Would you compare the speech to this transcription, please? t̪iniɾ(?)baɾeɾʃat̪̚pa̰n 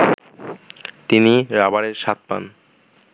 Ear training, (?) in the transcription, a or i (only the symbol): a